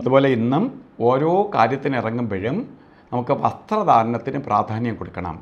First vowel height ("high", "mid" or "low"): low